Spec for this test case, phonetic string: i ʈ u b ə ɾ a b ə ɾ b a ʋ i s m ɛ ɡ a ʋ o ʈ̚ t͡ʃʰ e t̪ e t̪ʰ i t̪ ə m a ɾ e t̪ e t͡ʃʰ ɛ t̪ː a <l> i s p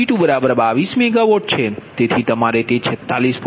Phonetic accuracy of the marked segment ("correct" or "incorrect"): correct